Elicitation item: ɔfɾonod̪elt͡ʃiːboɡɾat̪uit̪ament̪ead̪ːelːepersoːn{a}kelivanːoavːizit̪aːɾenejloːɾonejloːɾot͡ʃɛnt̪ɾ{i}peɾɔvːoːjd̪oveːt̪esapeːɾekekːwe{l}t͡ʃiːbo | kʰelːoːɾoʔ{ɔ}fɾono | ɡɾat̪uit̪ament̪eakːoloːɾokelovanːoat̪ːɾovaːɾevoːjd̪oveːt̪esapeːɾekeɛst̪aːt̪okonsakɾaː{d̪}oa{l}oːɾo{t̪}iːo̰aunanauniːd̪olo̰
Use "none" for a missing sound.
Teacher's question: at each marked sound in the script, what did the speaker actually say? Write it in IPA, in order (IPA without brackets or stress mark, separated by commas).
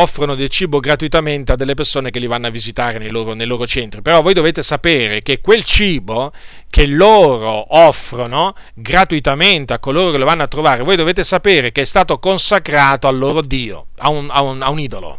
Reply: e, i, l, ɔ, t̪, lː, d̪